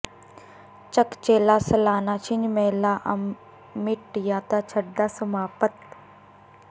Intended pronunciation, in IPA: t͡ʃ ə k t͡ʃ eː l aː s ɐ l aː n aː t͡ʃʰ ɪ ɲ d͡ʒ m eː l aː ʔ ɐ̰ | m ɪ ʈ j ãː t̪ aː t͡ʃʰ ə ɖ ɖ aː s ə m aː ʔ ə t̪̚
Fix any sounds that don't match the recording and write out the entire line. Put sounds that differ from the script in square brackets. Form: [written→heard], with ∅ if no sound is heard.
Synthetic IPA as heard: t͡ʃ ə k t͡ʃ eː l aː s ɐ l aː n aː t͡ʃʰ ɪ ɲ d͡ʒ m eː l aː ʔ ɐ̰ | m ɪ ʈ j [ãː→aː] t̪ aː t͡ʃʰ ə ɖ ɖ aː s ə m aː [ʔ→p] ə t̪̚